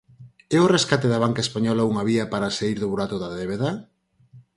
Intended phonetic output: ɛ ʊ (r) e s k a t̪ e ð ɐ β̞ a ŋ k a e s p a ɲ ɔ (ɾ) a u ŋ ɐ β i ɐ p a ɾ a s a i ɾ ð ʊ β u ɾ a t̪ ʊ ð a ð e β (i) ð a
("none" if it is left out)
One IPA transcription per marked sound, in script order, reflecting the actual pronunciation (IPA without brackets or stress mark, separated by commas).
r, l, e